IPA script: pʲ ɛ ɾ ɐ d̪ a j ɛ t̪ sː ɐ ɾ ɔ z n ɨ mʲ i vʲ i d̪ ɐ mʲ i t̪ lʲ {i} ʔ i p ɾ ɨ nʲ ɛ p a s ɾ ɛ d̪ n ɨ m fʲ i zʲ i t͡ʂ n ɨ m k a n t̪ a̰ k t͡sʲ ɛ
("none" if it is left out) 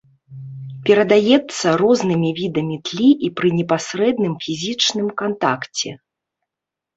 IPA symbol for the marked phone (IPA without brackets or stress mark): i